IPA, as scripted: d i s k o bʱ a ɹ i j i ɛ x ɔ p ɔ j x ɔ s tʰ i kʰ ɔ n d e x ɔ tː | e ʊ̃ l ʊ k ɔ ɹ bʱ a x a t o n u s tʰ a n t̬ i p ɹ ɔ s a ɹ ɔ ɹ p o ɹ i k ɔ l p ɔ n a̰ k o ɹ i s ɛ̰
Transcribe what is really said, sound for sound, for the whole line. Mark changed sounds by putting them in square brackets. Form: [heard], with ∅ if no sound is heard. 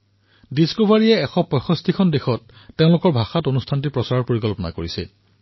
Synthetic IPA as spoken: d i s k o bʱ a ɹ i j [ɛ] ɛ x ɔ p ɔ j x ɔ s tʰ i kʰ ɔ n d e x ɔ tː | e ʊ̃ l ʊ k ɔ ɹ bʱ a x a t o n u s tʰ a n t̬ i p ɹ ɔ s a ɹ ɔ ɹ p o ɹ i k ɔ l p ɔ n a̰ k o ɹ i s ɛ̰